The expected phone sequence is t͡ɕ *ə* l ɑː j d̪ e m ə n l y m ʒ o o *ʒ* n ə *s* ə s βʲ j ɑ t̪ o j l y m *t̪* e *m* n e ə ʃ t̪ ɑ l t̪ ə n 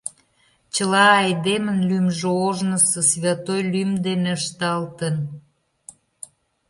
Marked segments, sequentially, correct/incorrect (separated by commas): correct, correct, correct, incorrect, incorrect